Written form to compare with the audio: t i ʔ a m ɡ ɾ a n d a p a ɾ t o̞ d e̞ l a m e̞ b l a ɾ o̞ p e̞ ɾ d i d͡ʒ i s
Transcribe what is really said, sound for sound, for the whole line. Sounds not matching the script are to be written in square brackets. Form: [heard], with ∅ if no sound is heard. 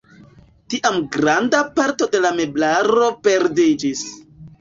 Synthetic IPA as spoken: t i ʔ a m ɡ ɾ a n d a p a ɾ t o̞ d e̞ l a m e̞ b l a ɾ o̞ p e̞ ɾ d i d͡ʒ i s

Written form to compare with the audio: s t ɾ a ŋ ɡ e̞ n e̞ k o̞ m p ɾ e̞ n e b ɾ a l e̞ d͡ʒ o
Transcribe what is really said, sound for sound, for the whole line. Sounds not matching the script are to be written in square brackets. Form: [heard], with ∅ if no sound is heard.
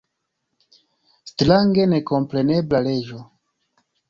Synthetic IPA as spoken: s t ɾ a ŋ ɡ e̞ n e̞ k o̞ m p ɾ e̞ n e b [l] a l e̞ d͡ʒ o

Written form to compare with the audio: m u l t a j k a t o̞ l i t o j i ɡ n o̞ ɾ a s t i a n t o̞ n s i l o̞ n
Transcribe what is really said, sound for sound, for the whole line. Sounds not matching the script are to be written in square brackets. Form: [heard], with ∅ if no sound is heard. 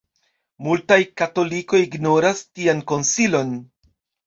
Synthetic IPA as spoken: m u l t a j k a t o̞ l i [k] o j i ɡ n o̞ ɾ a s t i a n [k] o̞ n s i l o̞ n

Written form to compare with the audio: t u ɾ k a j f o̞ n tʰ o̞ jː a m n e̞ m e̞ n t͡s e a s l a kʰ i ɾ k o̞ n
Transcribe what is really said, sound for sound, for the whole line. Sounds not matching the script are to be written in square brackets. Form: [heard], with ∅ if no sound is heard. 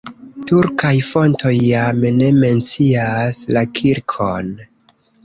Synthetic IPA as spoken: t u ɾ k a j f o̞ n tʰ o̞ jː a m n e̞ m e̞ n t͡s [i] a s l a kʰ i ɾ [kʰ] o̞ n

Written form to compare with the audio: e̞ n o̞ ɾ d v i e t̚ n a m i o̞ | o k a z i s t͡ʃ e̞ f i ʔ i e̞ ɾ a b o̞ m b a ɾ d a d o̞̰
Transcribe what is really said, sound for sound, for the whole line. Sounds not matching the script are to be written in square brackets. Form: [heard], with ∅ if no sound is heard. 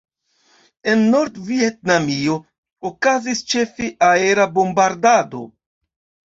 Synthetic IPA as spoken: e̞ [nː] o̞ ɾ d v i e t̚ n a m i o̞ | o k a z i s t͡ʃ e̞ f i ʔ [a] e̞ ɾ a b o̞ m b a ɾ d a d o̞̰

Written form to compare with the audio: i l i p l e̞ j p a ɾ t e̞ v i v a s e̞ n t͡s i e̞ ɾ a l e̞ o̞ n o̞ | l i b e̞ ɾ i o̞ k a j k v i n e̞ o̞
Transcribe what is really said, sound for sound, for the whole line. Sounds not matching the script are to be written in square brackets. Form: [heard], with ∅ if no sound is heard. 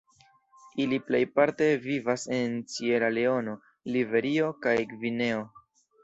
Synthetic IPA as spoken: i l i p l e̞ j p a ɾ t e̞ v i v a s e̞ n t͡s i e̞ ɾ a l e̞ o̞ n o̞ | l i [v] e̞ ɾ i o̞ k a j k v i n e̞ o̞

